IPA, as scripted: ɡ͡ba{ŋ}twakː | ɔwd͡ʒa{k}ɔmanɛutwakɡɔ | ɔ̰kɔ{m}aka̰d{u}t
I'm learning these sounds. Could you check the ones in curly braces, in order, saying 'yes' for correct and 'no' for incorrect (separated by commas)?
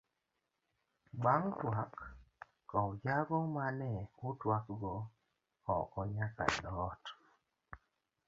yes, no, no, no